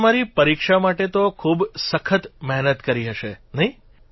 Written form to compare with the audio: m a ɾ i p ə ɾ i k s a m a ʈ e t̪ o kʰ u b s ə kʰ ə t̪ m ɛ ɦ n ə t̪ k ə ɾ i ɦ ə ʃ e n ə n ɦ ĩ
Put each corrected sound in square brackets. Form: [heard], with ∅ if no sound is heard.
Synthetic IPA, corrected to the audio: m a ɾ i p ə ɾ i k [ʃ] a m a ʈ e t̪ o kʰ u b s ə kʰ ə t̪ m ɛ ɦ n ə t̪ k ə ɾ i ɦ ə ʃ e n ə [∅] ɦ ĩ